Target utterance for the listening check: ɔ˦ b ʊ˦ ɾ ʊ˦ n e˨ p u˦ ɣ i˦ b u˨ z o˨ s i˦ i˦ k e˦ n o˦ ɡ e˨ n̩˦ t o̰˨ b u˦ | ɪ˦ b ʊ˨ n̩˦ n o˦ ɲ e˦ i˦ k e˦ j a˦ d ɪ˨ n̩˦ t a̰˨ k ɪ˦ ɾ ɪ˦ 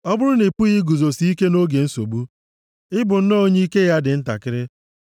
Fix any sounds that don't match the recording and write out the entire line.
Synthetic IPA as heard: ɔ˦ b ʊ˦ ɾ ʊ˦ n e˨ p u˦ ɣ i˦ ɡ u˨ z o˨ s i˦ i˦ k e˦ n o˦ ɡ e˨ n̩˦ s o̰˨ b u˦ | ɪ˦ b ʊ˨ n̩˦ n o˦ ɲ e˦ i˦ k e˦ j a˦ d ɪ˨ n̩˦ t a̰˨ k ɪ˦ ɾ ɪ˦